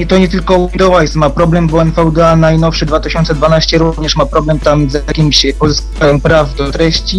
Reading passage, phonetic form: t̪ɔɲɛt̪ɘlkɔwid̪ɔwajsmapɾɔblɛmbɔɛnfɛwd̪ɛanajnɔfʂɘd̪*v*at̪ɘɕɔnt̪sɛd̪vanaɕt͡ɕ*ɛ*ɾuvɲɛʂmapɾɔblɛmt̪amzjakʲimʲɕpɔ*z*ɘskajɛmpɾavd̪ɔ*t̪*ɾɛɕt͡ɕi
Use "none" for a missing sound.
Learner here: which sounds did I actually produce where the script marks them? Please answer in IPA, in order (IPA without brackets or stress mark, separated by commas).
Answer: v, ɛ, z, t̪